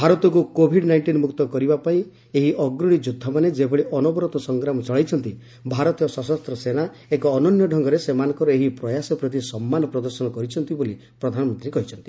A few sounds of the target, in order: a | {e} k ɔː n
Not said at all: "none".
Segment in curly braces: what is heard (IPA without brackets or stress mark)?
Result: e